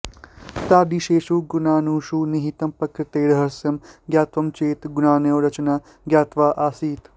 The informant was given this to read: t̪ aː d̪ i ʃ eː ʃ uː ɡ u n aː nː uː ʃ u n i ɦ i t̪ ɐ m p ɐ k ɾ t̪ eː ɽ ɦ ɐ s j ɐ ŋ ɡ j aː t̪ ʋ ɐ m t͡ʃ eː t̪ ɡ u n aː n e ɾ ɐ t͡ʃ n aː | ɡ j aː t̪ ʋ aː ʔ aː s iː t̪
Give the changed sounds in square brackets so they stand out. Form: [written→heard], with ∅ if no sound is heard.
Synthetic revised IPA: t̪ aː d̪ i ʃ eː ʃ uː ɡ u n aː [nː→n] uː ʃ u n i ɦ i t̪ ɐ m p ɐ k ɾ t̪ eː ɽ ɦ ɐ s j ɐ [ŋ→m] ɡ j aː t̪ ʋ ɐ m t͡ʃ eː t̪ ɡ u n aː n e ɾ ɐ t͡ʃ n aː | ɡ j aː t̪ ʋ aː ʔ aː s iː t̪